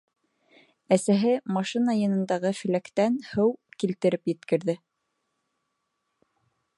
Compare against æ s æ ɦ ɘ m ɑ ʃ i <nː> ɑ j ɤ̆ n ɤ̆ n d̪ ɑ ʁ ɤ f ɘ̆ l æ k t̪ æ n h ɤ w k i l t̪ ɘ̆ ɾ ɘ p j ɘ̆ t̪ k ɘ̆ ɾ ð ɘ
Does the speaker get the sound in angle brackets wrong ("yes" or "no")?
yes